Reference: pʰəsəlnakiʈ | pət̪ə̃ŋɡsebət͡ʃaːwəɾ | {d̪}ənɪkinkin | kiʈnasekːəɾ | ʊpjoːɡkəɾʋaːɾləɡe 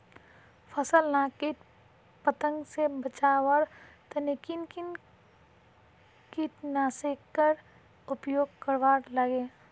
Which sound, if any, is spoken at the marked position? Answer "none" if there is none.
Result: t̪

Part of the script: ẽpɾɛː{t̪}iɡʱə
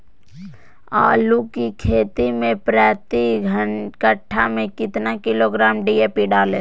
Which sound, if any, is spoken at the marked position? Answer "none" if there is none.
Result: t̪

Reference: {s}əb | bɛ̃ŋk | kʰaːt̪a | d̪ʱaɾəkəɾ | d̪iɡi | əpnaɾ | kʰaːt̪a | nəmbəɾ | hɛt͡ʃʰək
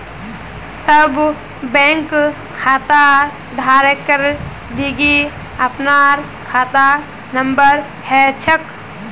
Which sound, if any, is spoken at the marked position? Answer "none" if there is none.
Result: s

